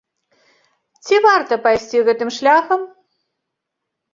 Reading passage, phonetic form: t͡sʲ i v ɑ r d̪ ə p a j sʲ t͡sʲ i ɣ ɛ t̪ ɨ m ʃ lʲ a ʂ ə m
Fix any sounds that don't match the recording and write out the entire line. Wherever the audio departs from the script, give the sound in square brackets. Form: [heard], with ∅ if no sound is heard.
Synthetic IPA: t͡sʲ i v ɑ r [t̪] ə p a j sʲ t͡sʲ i ɣ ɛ t̪ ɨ m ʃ lʲ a [x] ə m